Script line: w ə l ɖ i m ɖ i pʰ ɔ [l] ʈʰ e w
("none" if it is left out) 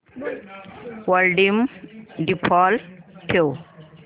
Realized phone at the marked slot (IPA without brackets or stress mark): l